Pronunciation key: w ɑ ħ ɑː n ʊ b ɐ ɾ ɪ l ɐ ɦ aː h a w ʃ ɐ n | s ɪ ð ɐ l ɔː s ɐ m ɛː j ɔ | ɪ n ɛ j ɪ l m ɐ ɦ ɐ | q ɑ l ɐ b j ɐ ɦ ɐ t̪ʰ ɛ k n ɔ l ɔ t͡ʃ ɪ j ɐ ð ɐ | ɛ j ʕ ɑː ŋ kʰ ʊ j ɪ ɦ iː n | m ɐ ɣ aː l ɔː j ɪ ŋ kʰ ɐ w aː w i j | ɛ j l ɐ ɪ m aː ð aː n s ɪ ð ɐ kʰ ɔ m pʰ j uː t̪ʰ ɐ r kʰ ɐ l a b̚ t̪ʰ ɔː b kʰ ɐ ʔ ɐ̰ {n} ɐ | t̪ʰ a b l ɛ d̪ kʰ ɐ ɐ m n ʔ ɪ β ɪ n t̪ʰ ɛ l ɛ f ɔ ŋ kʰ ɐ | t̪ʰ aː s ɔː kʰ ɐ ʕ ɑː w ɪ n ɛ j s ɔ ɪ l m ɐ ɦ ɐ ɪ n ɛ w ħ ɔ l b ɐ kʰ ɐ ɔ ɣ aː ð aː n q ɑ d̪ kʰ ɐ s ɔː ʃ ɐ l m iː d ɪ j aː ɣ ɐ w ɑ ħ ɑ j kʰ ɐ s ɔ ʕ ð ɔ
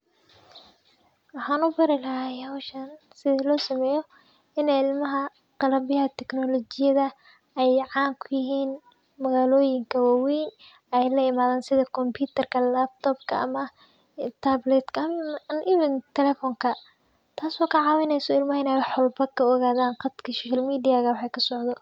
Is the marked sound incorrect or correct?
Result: incorrect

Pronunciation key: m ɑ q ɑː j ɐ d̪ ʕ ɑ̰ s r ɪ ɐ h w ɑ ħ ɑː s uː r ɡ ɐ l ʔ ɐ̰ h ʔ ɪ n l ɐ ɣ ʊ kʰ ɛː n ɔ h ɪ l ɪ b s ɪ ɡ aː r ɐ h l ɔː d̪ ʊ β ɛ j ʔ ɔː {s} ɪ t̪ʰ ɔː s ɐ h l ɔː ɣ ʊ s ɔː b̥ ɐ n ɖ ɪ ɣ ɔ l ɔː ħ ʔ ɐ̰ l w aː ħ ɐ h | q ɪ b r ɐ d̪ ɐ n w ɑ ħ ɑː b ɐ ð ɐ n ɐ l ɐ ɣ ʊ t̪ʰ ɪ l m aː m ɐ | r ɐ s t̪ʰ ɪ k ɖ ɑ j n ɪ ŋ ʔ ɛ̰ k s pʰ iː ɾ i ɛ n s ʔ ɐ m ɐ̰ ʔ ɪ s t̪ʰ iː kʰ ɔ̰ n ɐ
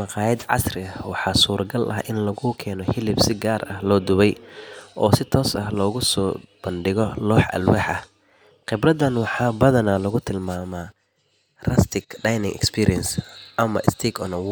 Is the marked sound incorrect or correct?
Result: correct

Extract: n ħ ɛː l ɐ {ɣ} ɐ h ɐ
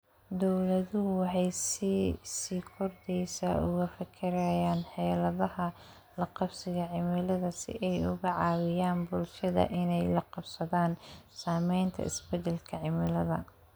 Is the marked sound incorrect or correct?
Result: incorrect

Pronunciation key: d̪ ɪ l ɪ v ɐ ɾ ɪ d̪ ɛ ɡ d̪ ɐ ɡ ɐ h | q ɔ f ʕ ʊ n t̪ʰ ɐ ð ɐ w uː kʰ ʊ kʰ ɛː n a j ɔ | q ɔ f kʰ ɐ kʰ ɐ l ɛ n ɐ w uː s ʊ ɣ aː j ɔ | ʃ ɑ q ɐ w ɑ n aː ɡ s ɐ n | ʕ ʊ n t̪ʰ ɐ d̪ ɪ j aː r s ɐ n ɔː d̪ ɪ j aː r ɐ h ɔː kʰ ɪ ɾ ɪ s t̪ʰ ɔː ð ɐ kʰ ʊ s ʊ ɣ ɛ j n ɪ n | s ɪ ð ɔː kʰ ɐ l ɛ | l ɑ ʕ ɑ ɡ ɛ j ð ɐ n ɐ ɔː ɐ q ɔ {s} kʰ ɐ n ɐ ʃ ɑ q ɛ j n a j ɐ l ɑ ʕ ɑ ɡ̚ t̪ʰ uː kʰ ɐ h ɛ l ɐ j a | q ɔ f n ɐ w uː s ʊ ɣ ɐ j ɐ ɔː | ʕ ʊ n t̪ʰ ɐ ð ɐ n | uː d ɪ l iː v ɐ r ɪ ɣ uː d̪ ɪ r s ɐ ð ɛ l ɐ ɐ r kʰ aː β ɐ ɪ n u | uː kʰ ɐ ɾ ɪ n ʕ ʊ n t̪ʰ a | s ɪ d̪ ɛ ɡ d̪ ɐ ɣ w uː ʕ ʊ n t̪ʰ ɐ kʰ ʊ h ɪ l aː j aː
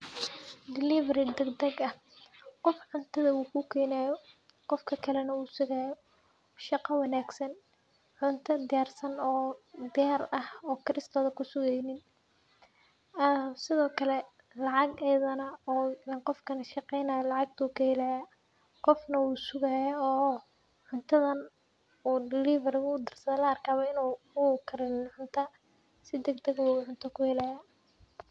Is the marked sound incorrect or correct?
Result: incorrect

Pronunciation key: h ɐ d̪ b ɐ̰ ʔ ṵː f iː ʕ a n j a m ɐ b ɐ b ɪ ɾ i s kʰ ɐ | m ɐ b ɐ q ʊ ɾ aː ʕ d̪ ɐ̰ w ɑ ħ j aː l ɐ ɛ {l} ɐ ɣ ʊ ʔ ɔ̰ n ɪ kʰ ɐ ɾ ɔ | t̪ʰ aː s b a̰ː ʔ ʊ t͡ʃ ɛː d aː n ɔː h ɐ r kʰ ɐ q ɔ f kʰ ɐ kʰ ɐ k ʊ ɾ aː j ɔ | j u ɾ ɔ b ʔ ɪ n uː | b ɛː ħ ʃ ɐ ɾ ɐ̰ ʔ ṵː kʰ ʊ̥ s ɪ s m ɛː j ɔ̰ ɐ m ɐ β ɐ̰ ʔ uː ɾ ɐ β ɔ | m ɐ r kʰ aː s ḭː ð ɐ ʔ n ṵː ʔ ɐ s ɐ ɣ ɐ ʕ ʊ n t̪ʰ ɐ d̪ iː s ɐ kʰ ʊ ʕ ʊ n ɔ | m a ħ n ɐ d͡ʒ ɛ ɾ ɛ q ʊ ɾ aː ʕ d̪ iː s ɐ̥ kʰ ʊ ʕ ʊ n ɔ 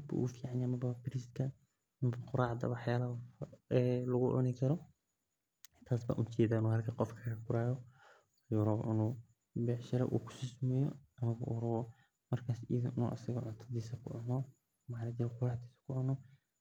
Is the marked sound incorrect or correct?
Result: correct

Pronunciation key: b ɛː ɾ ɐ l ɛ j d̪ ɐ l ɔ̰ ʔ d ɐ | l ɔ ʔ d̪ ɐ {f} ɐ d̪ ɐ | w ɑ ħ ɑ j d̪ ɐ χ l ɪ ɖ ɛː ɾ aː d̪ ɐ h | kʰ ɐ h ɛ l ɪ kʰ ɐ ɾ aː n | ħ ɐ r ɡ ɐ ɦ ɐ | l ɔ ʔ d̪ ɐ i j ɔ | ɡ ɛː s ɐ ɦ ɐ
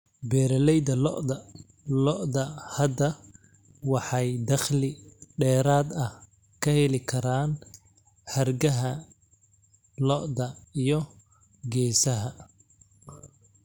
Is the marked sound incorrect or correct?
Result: incorrect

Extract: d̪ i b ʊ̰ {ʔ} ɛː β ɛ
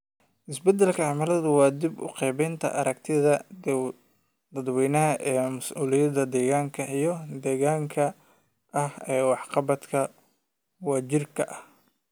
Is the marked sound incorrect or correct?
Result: incorrect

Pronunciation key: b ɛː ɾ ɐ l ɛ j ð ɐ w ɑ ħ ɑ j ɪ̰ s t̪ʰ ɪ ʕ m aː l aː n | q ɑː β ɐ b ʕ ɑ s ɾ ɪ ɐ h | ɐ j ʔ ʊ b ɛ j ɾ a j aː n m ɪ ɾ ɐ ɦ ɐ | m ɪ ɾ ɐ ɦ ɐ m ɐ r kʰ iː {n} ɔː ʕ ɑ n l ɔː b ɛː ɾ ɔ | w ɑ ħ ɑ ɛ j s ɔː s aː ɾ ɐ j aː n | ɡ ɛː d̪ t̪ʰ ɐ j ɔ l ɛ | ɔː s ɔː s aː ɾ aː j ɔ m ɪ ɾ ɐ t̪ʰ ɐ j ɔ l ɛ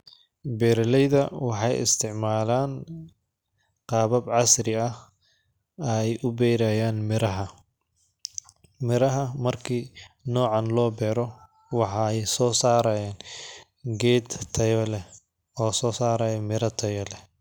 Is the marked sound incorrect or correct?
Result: correct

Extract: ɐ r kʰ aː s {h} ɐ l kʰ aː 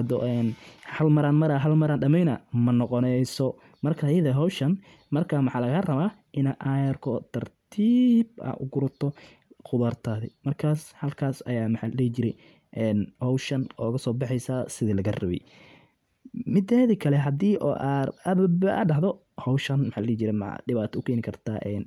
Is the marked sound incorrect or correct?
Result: correct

